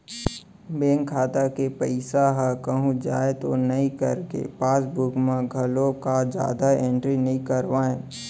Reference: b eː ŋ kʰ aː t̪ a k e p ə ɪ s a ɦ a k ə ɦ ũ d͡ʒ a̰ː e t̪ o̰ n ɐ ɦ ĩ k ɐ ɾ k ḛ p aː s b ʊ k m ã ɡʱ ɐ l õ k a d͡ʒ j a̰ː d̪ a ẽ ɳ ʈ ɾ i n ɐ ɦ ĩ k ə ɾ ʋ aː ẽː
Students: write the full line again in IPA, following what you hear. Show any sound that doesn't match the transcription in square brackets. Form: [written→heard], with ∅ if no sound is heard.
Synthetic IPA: b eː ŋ kʰ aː t̪ a k e p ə ɪ s a ɦ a k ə ɦ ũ d͡ʒ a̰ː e t̪ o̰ n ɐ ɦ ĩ k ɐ ɾ k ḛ p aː s b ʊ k m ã ɡʱ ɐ l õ k a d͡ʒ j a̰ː d̪ a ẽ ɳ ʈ ɾ i n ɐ ɦ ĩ k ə ɾ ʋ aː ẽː